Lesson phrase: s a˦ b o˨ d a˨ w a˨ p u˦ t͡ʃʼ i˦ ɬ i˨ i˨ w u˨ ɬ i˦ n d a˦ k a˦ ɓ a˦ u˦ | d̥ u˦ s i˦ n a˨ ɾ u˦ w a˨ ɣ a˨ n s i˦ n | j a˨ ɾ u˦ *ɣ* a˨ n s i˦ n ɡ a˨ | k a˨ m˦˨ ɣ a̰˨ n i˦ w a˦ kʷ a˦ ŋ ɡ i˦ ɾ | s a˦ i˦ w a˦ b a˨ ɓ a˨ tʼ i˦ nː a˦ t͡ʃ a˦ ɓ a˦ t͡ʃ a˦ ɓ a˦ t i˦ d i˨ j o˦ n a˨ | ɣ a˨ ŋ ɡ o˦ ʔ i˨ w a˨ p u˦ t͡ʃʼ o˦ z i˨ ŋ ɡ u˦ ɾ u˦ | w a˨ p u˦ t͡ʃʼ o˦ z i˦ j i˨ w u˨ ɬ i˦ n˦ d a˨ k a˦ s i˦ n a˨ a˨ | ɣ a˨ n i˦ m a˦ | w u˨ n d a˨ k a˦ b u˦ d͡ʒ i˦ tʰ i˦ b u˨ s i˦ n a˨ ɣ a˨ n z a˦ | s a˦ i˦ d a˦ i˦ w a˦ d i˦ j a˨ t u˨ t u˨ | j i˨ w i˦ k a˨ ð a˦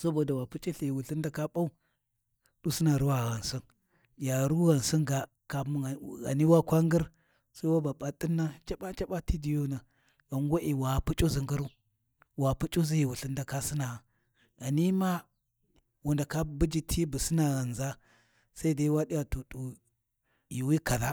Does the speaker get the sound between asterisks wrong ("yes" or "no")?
no